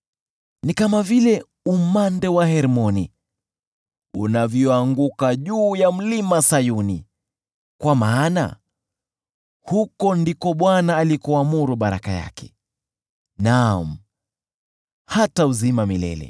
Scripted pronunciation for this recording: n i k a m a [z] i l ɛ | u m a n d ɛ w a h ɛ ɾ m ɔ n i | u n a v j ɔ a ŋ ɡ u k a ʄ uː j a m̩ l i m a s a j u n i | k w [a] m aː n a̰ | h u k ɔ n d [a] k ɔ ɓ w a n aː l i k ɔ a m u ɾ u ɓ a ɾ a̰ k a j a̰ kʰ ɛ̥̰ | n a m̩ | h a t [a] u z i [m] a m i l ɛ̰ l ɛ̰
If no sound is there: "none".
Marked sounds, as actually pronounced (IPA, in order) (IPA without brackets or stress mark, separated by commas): v, a, i, a, m